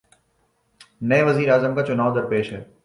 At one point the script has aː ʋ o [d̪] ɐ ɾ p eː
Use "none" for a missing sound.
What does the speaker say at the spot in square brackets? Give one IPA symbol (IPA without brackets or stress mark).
d̪